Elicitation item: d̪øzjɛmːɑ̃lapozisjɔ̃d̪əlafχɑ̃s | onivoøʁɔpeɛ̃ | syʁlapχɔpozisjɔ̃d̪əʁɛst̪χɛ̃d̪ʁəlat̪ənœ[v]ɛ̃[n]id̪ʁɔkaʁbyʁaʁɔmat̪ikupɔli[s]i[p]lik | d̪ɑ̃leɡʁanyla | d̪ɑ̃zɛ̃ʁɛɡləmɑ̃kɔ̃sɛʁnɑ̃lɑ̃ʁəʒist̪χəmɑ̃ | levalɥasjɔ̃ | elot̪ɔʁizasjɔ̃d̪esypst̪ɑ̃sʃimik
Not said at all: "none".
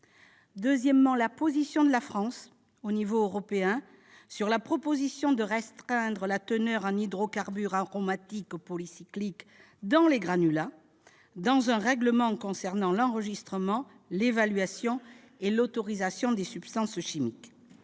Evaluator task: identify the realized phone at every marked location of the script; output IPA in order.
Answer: ʁ, n, s, k

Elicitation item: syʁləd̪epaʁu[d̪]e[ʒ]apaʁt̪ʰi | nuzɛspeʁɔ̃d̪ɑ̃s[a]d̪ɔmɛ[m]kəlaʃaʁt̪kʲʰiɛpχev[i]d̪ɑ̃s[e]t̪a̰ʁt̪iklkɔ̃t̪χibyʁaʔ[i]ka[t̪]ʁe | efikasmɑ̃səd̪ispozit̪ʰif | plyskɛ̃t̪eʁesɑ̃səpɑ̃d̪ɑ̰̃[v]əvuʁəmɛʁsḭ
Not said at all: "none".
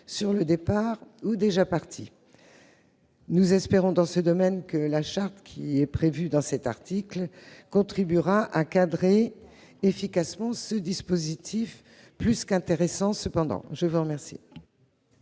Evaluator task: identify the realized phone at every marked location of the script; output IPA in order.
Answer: d̪, ʒ, ə, n, y, ɛ, a, d̪, ʒ

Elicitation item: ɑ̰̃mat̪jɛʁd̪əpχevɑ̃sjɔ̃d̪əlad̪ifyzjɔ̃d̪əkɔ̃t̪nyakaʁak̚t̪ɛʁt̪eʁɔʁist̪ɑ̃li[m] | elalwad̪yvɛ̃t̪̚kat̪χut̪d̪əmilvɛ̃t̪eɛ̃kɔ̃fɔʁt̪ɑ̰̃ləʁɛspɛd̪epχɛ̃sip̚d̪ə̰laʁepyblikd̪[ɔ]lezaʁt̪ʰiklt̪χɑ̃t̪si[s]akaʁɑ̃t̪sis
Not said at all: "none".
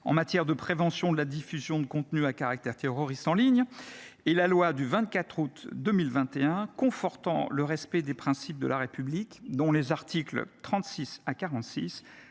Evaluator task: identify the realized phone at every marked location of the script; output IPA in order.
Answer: ɲ, ɔ̃, s

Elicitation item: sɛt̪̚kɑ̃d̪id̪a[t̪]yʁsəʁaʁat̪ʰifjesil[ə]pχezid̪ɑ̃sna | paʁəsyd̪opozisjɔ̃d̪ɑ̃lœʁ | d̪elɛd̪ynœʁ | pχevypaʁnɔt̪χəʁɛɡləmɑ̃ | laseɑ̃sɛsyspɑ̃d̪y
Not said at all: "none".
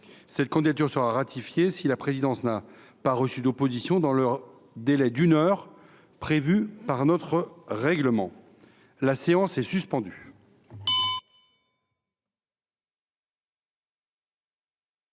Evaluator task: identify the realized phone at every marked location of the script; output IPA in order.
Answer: t̪, a

